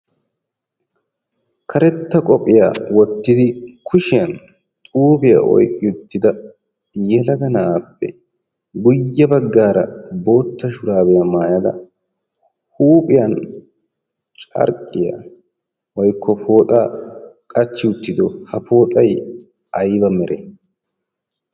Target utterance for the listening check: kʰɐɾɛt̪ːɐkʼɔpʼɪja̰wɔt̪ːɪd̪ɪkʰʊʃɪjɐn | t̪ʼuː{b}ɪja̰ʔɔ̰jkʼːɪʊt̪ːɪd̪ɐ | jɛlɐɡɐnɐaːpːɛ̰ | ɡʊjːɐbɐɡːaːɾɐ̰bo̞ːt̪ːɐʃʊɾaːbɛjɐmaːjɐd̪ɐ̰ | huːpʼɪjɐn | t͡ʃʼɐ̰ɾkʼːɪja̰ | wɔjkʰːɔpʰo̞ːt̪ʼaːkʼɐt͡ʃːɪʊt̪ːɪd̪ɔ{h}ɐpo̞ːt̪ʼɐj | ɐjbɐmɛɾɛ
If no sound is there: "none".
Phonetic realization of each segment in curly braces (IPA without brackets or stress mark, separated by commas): b, h